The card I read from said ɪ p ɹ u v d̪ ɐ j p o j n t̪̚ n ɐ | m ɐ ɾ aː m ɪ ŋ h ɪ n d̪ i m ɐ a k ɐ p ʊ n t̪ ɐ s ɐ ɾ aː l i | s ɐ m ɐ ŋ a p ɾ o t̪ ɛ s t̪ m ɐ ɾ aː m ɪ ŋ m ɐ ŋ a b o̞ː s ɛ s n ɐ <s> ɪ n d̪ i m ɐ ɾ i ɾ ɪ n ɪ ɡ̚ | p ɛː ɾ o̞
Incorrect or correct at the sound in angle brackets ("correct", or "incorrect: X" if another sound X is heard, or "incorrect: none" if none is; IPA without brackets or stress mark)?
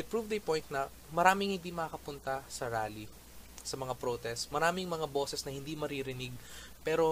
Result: incorrect: h